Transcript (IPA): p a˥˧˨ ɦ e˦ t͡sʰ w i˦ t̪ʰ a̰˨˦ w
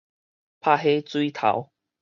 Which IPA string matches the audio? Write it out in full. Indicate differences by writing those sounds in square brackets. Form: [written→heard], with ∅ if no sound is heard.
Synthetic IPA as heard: [p→pʰ] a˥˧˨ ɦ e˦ [t͡sʰ→t͡s] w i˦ t̪ʰ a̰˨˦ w